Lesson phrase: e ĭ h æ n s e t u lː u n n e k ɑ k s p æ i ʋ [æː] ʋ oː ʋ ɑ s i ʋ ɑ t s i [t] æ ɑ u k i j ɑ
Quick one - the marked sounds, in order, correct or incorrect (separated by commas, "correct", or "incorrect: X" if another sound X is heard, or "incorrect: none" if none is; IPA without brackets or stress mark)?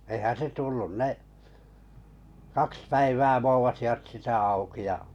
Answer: correct, correct